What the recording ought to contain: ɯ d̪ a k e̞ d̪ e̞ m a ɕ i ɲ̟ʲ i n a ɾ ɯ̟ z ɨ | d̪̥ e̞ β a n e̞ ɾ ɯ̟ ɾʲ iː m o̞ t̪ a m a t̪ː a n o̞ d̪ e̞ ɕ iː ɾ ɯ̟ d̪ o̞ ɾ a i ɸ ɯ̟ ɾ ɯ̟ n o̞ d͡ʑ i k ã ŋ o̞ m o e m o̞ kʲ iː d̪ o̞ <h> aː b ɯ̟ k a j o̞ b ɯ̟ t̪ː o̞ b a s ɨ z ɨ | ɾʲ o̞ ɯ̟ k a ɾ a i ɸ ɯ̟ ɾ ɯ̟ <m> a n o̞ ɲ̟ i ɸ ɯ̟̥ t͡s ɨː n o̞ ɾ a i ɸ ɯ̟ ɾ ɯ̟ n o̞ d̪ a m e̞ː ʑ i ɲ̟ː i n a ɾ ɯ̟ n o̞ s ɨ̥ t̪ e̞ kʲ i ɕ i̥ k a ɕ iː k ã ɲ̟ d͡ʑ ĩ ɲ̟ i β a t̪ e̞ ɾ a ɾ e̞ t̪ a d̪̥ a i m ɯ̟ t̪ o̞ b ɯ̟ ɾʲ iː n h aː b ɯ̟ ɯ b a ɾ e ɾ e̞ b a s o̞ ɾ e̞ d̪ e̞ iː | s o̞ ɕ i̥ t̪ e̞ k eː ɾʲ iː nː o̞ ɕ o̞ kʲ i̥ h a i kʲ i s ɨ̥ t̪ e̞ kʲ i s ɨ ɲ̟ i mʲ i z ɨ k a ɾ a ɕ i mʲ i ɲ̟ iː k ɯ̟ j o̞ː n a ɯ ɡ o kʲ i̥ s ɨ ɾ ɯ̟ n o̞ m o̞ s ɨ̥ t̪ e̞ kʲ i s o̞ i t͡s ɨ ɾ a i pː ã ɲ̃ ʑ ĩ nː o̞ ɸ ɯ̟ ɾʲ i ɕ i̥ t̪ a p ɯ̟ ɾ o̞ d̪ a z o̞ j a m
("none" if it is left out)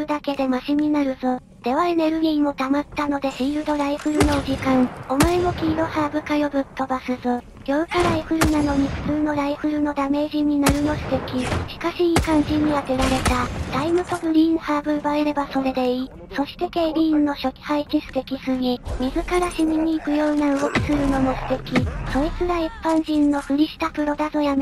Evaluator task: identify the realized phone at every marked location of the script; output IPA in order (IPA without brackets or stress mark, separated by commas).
h, n